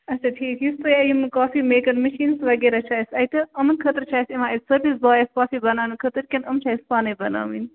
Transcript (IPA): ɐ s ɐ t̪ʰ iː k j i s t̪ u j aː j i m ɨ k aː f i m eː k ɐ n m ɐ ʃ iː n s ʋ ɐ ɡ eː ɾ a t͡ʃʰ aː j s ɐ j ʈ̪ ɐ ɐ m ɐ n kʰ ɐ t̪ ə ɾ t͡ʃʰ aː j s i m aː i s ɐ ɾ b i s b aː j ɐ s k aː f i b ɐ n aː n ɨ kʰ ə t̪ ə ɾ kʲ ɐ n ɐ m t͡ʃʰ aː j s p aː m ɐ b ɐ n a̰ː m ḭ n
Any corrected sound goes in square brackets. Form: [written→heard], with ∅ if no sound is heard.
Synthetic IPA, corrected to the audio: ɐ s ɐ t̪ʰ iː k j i s t̪ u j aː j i m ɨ k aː f i m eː k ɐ n m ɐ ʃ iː n s ʋ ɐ ɡ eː ɾ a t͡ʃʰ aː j s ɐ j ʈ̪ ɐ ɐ m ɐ n kʰ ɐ t̪ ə ɾ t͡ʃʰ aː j s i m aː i s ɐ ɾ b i s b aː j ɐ s k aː f i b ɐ n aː n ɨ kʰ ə t̪ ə ɾ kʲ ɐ n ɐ m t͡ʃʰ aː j s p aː [m→n] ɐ b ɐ n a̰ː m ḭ n